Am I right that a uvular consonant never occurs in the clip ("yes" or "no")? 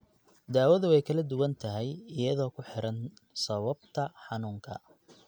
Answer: yes